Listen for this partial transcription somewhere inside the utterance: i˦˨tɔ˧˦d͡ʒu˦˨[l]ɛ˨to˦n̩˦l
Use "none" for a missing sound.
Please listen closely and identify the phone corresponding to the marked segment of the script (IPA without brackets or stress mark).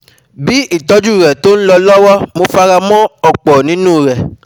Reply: ɾ